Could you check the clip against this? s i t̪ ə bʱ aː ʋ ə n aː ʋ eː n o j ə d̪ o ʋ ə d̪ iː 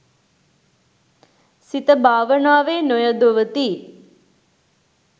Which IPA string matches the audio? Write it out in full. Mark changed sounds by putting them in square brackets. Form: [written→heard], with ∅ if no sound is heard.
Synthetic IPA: s i t̪ ə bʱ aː ʋ ə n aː ʋ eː n o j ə d̪ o ʋ ə [d̪→t̪] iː